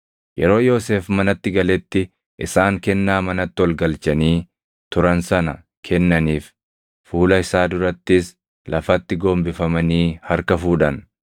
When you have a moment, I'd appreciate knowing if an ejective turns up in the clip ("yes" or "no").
no